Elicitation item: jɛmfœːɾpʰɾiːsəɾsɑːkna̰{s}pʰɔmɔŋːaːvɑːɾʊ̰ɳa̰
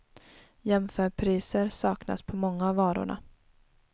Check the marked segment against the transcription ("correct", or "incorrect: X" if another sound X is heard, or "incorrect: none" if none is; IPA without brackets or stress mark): correct